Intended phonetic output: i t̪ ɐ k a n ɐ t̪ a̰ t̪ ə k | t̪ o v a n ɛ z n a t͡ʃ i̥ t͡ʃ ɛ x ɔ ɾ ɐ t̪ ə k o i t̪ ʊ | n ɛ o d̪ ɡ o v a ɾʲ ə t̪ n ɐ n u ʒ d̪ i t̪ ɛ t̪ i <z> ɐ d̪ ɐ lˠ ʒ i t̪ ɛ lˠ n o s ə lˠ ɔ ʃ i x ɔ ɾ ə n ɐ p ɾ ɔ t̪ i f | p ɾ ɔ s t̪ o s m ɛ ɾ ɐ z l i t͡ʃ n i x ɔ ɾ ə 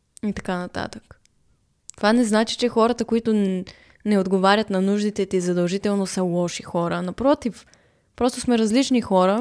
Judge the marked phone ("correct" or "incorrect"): correct